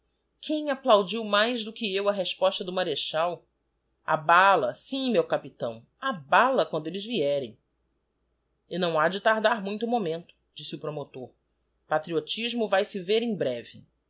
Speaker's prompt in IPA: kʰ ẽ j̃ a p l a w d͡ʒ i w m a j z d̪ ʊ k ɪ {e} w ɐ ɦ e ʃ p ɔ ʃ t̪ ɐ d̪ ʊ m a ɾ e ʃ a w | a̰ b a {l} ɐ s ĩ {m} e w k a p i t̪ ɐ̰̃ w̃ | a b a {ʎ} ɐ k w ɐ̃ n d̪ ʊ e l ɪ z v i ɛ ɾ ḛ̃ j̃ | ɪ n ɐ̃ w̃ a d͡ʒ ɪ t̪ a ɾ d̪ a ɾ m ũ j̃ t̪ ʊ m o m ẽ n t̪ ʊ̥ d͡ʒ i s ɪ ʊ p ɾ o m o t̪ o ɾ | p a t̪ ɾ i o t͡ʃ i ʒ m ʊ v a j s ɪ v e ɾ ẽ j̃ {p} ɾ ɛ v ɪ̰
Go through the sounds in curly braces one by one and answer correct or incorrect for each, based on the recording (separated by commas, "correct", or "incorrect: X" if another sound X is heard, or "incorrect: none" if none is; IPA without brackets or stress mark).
correct, correct, correct, incorrect: l, incorrect: b